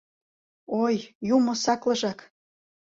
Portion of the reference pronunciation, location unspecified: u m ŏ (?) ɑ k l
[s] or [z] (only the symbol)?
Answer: s